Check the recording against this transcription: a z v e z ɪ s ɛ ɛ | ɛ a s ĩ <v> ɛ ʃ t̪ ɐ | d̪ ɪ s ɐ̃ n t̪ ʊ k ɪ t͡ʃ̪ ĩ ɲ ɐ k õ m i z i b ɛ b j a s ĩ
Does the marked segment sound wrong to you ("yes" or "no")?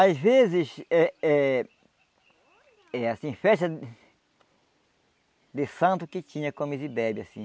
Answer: yes